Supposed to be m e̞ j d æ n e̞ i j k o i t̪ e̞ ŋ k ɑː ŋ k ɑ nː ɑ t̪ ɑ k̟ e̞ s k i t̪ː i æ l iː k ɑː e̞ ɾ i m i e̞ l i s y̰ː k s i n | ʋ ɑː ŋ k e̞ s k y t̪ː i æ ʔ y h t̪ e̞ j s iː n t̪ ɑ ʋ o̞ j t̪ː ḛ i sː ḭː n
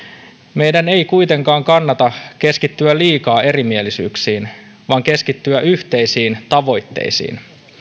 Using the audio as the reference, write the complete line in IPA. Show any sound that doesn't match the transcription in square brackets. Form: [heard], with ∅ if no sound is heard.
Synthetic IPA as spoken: m e̞ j d æ n e̞ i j k [u] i t̪ e̞ ŋ k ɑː ŋ k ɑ nː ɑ t̪ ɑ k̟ e̞ s k i t̪ː [y] æ l iː k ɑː e̞ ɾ i m i e̞ l i s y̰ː k s [iː] n | ʋ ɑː ŋ k e̞ s k [i] t̪ː [y] æ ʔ y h t̪ e̞ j s iː n t̪ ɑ ʋ o̞ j t̪ː ḛ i [s] ḭː n